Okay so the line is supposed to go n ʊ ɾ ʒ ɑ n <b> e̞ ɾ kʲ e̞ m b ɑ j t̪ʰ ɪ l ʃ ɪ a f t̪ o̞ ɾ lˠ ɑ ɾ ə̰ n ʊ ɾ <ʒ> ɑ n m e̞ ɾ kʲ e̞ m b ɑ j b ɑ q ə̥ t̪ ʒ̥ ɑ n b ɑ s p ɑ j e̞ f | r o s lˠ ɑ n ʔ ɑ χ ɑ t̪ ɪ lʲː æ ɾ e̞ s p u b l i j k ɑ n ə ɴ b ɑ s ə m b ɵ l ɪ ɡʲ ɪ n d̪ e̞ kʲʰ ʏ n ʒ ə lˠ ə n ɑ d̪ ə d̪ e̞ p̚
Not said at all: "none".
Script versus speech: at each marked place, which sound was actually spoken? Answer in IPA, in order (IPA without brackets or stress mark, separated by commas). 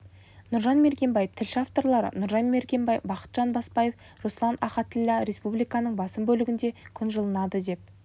m, ʒ